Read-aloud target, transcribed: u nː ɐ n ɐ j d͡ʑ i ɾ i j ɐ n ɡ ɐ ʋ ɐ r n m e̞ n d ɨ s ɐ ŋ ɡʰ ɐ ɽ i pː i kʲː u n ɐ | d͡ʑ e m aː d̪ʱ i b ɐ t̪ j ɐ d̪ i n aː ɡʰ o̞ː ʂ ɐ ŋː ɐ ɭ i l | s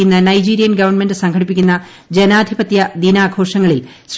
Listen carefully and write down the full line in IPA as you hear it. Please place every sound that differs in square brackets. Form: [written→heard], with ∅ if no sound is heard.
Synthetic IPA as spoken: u nː ɐ n ɐ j d͡ʑ [i→iː] ɾ i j ɐ n ɡ ɐ ʋ ɐ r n m e̞ n d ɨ s ɐ ŋ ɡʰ ɐ ɽ i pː i kʲː u [n→nː] ɐ | d͡ʑ e [m→n] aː d̪ʱ i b ɐ t̪ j ɐ d̪ i n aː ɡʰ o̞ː ʂ ɐ ŋː ɐ ɭ i l | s